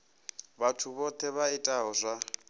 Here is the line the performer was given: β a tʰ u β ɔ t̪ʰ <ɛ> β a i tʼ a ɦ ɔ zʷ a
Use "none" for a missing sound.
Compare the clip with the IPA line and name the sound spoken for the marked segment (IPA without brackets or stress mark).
ɛ